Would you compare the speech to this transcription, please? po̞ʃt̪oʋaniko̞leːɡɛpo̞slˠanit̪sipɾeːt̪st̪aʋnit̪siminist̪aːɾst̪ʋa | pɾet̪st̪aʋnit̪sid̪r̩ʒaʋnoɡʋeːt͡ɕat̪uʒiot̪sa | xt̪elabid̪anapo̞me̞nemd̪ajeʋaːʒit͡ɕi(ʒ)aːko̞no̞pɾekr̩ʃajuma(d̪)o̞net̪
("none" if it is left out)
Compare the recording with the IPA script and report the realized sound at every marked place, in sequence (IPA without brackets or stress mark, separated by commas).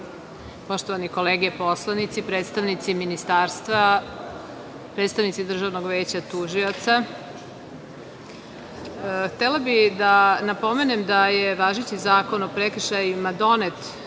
z, d̪